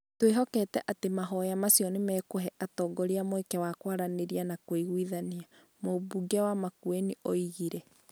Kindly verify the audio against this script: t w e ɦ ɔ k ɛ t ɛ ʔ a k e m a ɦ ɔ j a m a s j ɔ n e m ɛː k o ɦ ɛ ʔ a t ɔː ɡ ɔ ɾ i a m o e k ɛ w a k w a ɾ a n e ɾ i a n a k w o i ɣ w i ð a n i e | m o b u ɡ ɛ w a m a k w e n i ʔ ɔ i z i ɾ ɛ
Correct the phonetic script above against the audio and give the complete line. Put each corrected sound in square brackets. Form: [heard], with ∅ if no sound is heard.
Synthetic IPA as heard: t w e ɦ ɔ k ɛ t ɛ ʔ a [t] e m a ɦ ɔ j a m a s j ɔ n e m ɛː k o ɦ ɛ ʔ a t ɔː ɡ ɔ ɾ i a m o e k ɛ w a k w a ɾ a n e ɾ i a n a k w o i ɣ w i ð a n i [a] | m o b u ɡ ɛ w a m a k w e n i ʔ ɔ i [ɣ] i ɾ ɛ